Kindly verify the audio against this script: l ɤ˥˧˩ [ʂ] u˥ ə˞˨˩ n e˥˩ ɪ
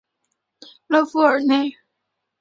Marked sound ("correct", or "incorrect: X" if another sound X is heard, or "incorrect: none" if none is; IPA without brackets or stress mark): incorrect: f